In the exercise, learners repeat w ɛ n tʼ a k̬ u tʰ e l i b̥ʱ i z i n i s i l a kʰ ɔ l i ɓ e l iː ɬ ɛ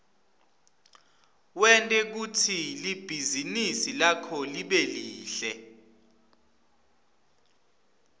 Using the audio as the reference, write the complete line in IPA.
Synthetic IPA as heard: w ɛ n tʼ ɛ k̬ u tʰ i l i b̥ʱ i z i n i s i l a kʰ ɔ l i ɓ e l iː ɬ ɛ